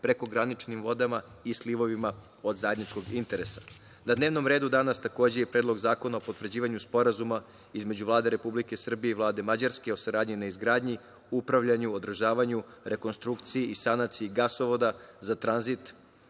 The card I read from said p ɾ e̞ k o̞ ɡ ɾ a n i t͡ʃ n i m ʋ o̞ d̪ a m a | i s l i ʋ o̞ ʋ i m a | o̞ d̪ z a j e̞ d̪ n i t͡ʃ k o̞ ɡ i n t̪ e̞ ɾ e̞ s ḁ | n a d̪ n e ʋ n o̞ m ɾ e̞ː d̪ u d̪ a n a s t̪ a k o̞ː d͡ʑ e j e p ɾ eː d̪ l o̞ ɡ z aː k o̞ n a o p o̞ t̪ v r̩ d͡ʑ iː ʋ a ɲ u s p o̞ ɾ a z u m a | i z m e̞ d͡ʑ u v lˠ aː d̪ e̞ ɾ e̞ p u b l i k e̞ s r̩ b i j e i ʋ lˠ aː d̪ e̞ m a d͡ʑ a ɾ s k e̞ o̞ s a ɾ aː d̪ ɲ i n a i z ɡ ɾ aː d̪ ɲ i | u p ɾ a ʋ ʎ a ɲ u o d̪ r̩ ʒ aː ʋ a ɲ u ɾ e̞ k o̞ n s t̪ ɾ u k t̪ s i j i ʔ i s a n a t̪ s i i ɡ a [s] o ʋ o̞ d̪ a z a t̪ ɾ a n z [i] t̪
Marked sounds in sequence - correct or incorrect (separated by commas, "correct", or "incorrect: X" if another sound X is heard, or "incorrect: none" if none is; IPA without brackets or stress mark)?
correct, correct